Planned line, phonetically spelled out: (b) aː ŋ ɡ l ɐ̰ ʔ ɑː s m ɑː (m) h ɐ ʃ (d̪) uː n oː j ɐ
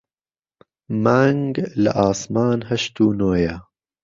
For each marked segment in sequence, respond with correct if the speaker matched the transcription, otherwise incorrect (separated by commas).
incorrect, incorrect, incorrect